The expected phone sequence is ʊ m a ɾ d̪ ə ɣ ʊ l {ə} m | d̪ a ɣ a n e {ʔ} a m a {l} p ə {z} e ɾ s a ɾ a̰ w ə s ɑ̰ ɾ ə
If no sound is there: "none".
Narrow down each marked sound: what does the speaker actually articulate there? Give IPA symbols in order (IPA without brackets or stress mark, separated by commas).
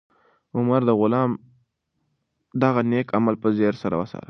ɑ, k, l, z